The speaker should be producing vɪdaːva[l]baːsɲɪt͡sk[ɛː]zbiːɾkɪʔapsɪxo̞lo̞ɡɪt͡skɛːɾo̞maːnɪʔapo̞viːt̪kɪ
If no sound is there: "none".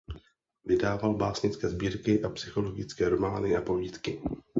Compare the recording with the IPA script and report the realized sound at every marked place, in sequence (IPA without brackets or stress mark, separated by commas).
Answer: l, ɛː